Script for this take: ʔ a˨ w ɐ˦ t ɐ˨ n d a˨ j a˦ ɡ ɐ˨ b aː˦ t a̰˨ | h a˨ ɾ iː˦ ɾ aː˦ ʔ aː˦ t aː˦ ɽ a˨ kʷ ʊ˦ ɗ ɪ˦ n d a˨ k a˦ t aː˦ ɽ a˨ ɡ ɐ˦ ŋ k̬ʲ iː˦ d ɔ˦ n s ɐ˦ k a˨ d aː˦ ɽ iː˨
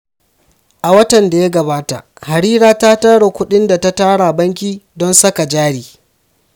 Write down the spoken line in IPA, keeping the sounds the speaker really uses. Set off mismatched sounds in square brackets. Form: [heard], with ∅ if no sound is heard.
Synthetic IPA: ʔ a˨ w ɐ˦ t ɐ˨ n d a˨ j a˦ ɡ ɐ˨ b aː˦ t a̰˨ | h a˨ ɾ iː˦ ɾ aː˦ [t] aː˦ t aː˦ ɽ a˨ kʷ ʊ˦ ɗ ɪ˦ n d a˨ [t] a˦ t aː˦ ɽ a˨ [b] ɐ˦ ŋ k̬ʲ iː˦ d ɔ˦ n s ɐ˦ k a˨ [d͡ʒ] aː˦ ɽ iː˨